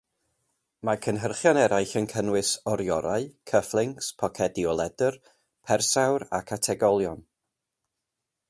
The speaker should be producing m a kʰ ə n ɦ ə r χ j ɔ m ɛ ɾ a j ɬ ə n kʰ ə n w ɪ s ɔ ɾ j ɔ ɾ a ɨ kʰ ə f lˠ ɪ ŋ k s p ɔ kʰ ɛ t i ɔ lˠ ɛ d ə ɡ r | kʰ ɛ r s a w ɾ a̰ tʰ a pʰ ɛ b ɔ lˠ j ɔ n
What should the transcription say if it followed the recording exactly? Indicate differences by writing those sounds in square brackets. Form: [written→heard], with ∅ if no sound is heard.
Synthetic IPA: m a kʰ ə n ɦ ə r χ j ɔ [m→n] ɛ ɾ a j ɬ ə n kʰ ə n w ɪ s ɔ ɾ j ɔ ɾ a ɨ kʰ ə f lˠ ɪ ŋ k s [p→pʰ] ɔ kʰ ɛ [t→d] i ɔ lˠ ɛ d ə [ɡ→∅] r | [kʰ→pʰ] ɛ r s a w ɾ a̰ [tʰ→kʰ] a [pʰ→tʰ] ɛ [b→ɡ] ɔ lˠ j ɔ n